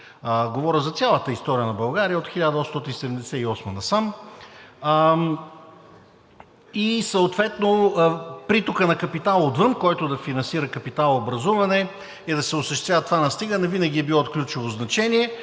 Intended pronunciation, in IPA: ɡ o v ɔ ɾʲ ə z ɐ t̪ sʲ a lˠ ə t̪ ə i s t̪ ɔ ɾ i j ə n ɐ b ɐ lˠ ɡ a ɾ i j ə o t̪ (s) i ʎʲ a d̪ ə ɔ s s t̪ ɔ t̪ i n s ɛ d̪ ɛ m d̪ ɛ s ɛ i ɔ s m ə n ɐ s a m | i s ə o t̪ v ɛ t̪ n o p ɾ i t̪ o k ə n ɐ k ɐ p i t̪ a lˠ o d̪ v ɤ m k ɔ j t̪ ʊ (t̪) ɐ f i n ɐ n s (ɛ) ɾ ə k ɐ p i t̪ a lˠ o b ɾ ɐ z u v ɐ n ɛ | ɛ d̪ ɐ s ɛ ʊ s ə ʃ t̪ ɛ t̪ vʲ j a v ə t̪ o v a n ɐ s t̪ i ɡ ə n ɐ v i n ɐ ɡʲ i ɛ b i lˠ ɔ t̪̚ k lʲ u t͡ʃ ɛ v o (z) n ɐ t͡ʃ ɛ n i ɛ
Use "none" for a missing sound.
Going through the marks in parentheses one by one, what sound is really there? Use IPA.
x, d̪, i, z

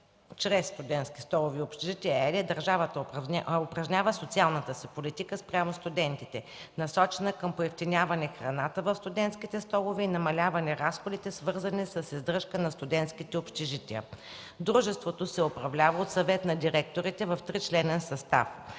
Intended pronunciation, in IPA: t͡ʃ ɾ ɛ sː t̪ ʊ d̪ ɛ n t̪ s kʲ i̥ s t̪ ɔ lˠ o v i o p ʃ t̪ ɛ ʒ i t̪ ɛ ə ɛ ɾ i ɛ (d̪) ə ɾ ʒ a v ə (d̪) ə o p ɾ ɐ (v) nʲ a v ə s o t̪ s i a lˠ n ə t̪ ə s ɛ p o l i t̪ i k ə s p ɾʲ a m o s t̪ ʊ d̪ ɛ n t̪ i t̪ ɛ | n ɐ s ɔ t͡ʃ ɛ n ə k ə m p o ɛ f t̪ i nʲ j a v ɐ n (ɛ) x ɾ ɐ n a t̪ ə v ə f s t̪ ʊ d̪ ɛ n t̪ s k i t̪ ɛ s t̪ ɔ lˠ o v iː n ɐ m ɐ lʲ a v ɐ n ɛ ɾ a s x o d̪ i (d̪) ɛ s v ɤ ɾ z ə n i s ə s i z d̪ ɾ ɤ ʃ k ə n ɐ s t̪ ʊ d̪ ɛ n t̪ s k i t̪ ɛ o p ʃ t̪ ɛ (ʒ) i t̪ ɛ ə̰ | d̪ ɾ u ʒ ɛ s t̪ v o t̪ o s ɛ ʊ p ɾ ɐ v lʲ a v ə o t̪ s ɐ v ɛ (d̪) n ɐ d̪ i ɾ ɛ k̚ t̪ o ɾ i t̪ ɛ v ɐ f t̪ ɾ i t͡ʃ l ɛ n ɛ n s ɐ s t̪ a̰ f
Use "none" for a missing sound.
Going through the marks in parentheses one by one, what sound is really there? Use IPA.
d̪, t̪, ʒ, ɛ, t̪, ʒ, t̪

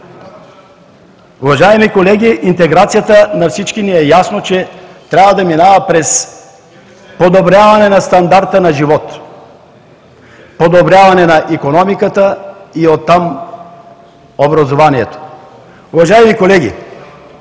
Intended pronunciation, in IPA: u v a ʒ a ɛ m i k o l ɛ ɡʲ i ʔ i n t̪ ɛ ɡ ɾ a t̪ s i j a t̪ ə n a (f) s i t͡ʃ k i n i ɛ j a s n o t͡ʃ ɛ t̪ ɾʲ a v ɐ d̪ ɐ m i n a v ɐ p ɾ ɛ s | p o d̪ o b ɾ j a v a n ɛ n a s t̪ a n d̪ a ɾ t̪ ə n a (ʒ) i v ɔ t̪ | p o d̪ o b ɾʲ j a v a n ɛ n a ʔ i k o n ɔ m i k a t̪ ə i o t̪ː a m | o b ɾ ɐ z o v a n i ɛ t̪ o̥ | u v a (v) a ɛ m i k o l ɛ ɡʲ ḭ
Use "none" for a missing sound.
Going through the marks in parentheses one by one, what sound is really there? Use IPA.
f, ʒ, ʒ

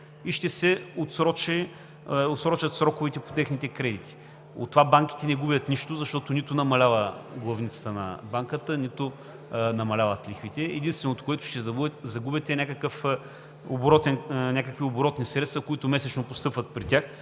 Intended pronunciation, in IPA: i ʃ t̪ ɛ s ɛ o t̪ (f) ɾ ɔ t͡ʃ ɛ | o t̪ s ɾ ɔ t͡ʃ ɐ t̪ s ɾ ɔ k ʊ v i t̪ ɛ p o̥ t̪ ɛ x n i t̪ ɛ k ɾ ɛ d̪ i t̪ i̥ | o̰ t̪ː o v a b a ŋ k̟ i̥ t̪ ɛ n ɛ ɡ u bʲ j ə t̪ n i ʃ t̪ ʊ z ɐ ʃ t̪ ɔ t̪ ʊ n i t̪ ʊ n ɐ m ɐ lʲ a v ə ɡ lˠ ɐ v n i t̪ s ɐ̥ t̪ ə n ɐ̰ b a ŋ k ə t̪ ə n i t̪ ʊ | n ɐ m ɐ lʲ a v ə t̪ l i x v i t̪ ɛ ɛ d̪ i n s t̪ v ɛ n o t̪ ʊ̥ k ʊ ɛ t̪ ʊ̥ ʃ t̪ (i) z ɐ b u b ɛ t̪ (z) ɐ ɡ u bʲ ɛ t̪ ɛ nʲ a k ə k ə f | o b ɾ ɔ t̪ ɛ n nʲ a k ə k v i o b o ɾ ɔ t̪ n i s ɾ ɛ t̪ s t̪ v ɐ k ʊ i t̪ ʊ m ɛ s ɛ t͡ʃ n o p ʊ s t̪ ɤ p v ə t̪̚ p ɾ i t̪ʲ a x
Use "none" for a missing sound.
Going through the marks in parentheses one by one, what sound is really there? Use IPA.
s, ɛ, z

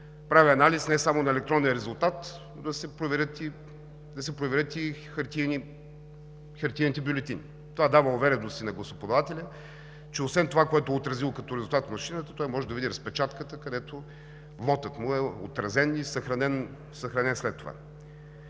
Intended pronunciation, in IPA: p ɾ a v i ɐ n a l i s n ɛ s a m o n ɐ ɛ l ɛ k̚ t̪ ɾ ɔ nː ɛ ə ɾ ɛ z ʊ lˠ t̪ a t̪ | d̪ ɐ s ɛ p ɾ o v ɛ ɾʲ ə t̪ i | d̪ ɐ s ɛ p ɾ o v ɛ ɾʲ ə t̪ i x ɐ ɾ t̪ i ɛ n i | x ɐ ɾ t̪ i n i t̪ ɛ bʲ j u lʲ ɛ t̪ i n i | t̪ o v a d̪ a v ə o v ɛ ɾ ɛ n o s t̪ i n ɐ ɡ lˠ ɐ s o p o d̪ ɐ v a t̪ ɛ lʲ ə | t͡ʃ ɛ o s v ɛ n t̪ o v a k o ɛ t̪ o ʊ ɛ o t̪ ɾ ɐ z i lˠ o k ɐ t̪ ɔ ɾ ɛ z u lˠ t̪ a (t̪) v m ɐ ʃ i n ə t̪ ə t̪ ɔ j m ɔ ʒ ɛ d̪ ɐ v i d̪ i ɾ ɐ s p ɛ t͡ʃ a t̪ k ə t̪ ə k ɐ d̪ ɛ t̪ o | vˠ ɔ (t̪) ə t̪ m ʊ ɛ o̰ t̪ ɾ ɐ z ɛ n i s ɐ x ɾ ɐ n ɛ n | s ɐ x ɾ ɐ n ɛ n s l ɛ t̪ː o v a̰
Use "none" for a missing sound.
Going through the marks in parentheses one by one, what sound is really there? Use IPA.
t̪, t̪

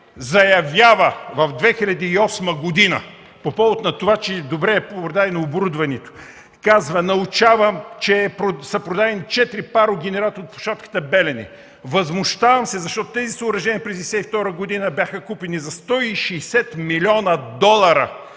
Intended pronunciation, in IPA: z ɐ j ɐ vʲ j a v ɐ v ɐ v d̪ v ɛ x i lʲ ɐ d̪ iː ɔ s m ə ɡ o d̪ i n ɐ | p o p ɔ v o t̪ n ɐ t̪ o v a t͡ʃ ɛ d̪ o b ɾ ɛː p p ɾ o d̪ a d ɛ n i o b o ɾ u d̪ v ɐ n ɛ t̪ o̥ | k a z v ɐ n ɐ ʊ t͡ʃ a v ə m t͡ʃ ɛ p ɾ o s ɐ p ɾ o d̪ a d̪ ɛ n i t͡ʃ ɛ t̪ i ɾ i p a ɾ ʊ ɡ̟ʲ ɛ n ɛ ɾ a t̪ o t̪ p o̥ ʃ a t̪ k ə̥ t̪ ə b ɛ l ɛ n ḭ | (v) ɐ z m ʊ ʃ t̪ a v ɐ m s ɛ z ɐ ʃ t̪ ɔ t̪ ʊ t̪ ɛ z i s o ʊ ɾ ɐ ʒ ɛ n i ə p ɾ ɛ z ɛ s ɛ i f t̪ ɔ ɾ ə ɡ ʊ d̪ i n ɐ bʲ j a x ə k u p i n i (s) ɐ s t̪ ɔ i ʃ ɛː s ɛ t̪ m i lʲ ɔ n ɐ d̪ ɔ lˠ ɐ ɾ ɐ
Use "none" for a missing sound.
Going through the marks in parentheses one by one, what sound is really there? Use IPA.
v, z

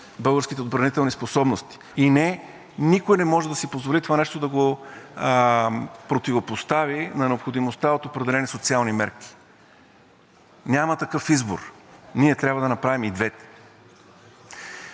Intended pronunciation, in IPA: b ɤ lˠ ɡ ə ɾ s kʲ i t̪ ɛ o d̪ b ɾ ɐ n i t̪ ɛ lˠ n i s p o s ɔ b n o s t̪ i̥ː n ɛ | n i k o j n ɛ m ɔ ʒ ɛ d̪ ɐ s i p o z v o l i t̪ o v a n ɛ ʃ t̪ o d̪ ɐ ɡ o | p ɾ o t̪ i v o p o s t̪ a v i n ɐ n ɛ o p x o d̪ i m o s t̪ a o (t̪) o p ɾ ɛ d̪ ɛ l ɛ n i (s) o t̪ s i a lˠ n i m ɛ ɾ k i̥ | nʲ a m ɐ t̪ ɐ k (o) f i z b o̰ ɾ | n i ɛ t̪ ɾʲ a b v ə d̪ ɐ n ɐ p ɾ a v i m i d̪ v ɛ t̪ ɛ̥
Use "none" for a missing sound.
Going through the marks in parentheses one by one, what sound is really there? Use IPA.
t̪, s, ɤ

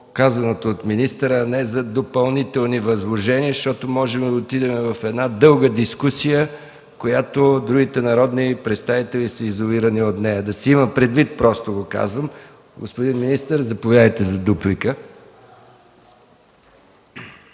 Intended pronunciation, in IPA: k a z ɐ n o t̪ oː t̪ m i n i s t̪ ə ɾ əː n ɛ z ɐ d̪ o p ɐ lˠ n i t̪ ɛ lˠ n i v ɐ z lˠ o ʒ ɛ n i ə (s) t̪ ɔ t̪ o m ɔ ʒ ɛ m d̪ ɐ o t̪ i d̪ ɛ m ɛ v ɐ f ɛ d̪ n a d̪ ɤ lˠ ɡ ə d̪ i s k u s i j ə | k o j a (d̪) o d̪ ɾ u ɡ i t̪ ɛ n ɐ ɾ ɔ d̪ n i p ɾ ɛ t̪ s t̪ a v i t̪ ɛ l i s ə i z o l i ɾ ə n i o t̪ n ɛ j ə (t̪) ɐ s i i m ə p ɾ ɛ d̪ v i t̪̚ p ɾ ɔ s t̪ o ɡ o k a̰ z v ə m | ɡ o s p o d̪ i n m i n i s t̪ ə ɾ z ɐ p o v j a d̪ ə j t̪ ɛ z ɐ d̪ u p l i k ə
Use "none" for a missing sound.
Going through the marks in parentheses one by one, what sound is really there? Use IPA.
ʃ, t̪, d̪

